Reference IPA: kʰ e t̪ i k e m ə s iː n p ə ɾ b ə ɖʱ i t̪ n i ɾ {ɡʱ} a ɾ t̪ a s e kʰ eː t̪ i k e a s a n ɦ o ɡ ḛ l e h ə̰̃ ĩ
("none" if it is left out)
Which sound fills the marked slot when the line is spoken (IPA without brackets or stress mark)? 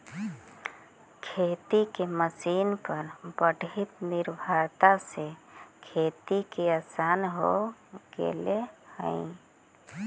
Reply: bʱ